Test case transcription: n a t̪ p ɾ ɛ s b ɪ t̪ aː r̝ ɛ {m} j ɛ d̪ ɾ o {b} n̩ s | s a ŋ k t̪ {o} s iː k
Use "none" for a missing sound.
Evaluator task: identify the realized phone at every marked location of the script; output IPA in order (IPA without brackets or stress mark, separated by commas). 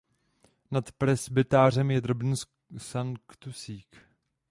m, b, u